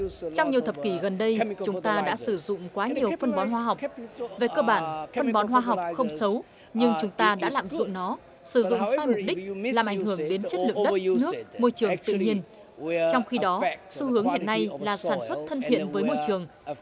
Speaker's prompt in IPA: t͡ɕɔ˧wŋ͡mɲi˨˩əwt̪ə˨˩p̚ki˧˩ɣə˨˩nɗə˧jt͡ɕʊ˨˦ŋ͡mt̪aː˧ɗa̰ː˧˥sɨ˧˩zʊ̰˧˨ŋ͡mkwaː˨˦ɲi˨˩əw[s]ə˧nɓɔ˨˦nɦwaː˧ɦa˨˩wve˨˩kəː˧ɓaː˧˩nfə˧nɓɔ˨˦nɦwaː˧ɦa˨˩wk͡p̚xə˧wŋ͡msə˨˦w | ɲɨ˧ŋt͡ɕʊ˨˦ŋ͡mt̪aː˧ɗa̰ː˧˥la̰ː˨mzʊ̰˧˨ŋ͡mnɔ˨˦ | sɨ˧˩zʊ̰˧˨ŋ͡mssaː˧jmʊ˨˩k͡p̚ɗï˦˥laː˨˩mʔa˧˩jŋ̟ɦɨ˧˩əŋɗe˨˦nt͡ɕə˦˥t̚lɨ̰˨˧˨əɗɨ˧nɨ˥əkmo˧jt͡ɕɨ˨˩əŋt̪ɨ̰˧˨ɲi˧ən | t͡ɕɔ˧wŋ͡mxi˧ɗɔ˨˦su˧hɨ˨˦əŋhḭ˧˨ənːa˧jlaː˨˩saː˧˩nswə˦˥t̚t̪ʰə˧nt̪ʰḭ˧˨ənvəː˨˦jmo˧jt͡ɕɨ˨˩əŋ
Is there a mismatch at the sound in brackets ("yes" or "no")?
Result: yes